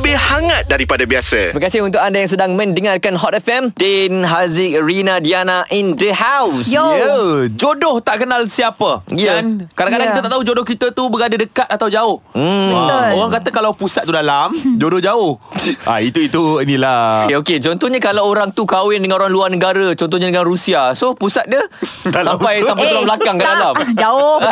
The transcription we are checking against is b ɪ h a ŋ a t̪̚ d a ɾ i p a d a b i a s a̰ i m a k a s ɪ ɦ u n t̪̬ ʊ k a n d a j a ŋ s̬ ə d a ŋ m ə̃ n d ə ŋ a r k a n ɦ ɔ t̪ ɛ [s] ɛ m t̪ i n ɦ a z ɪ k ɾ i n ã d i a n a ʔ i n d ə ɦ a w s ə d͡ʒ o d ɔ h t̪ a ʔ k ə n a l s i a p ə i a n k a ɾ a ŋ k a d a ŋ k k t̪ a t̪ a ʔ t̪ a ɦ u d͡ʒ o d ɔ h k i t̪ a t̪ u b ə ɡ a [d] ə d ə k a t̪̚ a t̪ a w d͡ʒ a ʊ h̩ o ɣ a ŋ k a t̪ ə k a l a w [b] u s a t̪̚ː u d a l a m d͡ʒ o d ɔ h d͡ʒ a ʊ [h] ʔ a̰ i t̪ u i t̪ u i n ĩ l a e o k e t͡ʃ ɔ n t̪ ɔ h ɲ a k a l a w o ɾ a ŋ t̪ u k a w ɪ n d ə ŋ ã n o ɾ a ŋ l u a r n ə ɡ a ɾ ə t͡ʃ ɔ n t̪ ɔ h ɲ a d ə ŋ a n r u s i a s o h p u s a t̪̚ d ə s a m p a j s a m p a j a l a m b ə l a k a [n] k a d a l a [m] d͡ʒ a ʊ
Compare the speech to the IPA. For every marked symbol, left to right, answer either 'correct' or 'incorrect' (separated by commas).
incorrect, correct, incorrect, correct, incorrect, correct